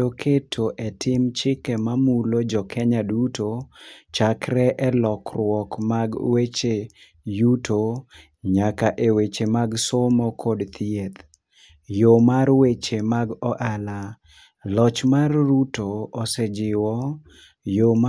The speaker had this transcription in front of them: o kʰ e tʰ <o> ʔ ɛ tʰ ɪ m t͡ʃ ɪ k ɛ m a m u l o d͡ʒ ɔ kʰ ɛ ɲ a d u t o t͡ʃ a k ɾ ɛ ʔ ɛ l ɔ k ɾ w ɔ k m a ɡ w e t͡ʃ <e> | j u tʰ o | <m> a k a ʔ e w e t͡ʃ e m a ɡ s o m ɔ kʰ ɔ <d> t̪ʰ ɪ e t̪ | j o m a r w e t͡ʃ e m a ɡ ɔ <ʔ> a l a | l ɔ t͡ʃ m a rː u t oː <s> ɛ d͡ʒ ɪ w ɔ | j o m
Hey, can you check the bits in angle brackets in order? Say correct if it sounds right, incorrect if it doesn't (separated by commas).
correct, correct, incorrect, correct, correct, correct